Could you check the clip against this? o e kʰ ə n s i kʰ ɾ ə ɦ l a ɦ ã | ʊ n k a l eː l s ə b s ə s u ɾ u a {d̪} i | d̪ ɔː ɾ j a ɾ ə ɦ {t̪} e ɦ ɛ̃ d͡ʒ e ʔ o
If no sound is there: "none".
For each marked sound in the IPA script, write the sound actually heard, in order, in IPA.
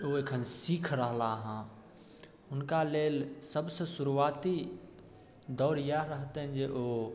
t̪, t̪

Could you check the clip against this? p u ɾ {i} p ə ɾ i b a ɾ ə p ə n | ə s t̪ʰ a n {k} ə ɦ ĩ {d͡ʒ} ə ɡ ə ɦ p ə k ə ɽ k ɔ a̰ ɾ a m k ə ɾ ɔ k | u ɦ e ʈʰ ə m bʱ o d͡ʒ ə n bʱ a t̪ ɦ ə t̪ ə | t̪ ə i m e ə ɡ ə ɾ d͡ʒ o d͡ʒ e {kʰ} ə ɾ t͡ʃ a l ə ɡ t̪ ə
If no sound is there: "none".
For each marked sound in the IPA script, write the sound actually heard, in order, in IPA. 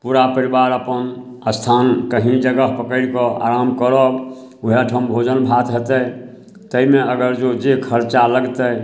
a, k, d͡ʒ, kʰ

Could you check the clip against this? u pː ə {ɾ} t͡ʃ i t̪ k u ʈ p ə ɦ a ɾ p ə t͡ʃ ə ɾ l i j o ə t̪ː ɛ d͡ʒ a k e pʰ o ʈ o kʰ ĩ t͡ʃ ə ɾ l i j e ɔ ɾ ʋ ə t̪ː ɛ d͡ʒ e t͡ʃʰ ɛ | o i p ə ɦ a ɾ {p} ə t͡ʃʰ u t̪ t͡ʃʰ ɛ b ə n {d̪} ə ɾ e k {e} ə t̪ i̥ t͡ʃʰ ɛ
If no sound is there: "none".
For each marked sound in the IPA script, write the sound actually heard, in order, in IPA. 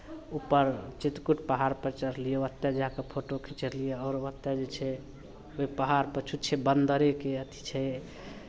ɾ, p, d̪, e

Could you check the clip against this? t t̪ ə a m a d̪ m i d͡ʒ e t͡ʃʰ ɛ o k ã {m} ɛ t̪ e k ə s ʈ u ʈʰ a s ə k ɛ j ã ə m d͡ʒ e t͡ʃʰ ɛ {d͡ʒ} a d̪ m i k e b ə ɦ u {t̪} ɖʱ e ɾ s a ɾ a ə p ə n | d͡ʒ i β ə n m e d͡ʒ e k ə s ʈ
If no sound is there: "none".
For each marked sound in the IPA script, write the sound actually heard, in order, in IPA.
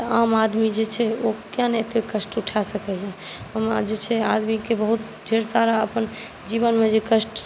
n, none, t̪

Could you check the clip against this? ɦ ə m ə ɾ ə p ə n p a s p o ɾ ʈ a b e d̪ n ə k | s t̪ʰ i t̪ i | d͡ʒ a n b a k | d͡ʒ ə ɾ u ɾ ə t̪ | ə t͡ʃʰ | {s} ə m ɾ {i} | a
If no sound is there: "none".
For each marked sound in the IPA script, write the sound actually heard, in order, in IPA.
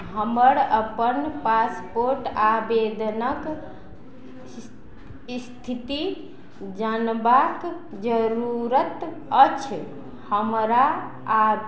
h, a

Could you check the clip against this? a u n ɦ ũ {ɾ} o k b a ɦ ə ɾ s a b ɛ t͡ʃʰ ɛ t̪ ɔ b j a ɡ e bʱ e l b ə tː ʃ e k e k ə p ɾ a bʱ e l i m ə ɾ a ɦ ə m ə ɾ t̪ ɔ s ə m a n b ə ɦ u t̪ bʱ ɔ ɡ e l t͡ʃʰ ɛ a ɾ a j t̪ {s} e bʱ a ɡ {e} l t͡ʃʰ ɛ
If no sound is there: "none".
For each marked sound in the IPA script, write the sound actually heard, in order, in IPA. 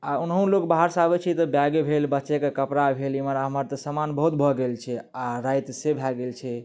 l, s, e

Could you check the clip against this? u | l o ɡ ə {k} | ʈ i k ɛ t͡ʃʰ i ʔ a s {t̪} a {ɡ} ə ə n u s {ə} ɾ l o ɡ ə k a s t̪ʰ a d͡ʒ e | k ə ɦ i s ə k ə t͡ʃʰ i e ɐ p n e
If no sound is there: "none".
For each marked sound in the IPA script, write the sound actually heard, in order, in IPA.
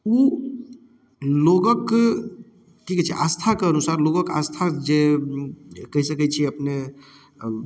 k, t̪ʰ, k, a

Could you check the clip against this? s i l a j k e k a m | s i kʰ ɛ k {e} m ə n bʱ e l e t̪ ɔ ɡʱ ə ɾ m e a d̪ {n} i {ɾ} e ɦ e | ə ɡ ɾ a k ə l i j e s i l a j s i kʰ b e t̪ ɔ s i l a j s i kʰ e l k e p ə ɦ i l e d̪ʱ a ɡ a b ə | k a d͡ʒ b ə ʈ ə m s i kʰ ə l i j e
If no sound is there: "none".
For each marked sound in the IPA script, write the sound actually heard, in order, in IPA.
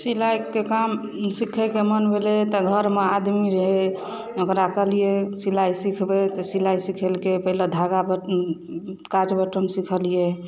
e, m, ɾ

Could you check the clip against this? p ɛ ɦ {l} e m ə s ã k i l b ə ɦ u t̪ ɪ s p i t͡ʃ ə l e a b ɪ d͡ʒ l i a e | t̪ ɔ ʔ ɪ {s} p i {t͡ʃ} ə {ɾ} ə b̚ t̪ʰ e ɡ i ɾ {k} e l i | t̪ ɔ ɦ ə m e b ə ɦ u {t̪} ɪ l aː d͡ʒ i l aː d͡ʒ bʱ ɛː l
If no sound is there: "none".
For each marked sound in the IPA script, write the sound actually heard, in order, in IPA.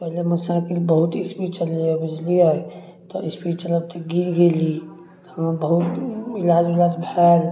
l, s, t͡ʃ, l, ɡ, t̪

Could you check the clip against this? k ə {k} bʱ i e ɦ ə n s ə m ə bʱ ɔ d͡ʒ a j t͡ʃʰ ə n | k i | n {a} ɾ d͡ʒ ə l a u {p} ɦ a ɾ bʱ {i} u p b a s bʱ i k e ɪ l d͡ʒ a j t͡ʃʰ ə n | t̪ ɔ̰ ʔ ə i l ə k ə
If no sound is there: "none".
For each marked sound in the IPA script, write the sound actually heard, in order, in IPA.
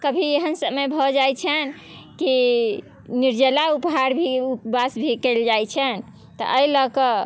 none, i, p, i

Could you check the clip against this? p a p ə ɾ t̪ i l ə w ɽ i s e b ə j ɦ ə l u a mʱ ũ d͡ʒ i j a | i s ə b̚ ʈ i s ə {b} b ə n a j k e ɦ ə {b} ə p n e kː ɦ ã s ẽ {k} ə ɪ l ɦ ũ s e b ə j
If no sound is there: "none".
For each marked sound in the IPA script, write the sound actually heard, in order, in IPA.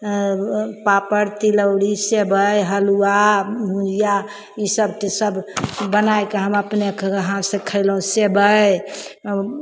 b, m, kʰ

